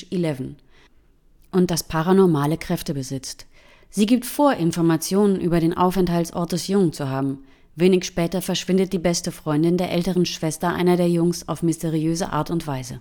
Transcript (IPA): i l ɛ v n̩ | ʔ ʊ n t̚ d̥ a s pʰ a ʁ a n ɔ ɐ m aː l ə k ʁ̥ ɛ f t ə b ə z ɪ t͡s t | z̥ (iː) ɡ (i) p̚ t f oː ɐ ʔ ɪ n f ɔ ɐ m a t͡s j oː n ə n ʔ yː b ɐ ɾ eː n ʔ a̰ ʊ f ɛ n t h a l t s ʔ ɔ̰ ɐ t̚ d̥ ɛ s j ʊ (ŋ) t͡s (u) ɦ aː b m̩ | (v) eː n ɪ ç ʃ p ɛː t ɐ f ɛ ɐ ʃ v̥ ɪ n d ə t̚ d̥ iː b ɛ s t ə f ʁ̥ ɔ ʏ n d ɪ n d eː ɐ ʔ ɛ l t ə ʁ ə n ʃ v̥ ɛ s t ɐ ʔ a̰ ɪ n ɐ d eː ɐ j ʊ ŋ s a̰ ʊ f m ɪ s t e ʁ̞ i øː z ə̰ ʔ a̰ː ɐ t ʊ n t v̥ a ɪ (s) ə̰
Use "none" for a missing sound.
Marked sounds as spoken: iː, iː, ŋ, u, v, z

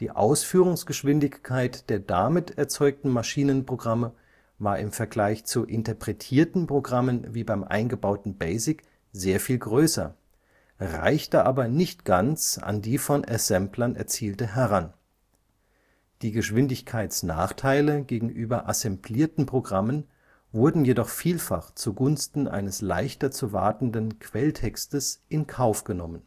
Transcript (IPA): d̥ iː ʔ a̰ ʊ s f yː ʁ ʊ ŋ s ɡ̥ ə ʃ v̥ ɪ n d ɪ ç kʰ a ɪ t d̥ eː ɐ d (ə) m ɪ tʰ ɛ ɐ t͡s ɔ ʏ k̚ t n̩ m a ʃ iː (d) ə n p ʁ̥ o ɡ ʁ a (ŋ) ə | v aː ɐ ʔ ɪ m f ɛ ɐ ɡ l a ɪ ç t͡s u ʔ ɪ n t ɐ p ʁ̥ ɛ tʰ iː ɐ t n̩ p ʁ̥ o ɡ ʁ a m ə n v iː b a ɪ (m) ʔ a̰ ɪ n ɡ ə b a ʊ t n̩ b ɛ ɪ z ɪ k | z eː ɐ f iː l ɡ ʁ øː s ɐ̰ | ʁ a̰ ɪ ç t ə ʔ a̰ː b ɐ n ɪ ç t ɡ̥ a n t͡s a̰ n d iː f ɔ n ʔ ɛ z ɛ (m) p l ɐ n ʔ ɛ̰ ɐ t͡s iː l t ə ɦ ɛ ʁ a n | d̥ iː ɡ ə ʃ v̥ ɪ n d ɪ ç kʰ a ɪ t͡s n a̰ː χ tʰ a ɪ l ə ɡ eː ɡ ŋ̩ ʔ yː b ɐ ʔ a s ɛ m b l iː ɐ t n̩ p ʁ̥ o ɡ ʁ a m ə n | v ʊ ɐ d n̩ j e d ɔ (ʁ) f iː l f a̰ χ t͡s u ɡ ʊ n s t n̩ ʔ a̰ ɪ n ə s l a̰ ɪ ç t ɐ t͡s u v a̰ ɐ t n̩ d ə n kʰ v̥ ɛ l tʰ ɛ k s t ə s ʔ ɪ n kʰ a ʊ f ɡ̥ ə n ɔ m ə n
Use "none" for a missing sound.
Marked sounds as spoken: a, n, m, m, m, χ

